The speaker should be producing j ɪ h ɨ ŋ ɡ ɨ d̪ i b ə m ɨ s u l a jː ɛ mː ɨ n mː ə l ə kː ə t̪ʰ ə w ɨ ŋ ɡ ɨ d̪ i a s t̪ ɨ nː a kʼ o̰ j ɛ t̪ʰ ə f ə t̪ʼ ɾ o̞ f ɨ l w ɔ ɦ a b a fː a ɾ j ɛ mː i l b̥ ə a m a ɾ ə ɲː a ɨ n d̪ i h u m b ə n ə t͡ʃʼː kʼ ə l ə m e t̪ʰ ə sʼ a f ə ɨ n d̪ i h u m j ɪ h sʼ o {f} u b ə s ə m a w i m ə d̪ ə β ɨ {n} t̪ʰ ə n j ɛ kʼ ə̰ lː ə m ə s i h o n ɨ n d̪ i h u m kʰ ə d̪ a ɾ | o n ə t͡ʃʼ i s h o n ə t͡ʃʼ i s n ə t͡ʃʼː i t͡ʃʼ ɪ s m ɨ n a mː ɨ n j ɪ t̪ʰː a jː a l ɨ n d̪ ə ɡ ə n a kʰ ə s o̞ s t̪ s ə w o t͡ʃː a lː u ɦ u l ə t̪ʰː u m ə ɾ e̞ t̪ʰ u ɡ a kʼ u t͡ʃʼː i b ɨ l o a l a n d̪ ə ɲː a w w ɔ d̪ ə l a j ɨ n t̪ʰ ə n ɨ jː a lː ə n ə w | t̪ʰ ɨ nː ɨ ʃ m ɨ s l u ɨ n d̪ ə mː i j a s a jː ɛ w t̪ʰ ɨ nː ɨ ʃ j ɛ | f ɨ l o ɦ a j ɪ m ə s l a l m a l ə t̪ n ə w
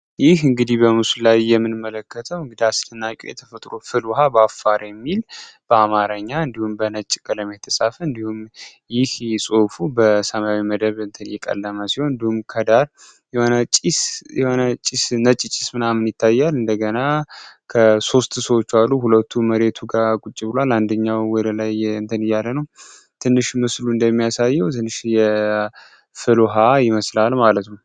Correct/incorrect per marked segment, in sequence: correct, correct

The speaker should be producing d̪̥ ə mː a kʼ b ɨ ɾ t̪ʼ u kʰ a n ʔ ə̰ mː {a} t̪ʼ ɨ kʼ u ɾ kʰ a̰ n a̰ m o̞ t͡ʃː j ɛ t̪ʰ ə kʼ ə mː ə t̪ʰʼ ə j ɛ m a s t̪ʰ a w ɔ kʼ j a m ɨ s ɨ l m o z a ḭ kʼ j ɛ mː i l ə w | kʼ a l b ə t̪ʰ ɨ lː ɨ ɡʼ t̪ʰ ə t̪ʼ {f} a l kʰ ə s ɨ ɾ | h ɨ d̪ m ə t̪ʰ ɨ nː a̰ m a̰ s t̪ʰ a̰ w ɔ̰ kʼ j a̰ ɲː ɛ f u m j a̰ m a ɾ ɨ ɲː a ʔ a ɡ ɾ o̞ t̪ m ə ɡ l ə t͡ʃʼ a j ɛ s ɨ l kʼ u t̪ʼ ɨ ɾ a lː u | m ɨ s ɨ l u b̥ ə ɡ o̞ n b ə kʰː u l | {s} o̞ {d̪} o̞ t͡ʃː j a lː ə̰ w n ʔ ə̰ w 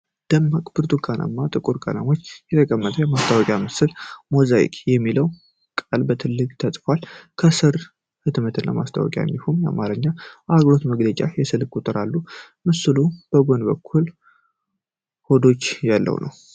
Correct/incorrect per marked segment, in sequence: correct, correct, incorrect, correct

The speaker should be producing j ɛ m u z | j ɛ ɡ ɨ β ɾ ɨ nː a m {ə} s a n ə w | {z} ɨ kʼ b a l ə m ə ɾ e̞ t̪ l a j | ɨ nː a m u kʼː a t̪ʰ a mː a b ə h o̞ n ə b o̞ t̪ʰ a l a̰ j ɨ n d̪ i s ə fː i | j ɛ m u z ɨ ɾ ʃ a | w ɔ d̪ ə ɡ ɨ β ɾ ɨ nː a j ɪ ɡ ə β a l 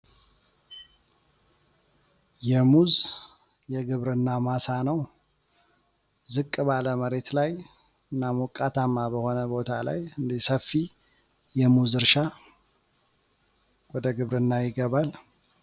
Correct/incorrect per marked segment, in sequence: incorrect, correct

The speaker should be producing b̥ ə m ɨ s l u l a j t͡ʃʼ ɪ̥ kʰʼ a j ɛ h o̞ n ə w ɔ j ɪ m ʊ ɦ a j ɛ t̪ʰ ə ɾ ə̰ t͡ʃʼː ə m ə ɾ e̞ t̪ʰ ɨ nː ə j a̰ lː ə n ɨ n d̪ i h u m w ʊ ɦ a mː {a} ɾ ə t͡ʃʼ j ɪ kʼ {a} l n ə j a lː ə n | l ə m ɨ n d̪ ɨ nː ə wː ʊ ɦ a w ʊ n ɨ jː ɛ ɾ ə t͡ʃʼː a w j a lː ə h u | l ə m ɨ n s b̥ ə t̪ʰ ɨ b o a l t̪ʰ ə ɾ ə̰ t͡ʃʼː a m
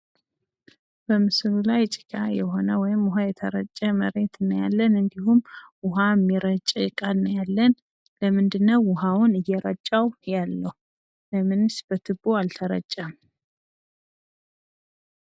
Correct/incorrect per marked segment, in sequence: incorrect, correct

